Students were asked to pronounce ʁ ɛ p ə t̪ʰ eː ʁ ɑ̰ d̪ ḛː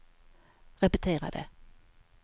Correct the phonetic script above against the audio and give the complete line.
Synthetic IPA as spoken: ʁ ɛ p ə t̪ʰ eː ʁ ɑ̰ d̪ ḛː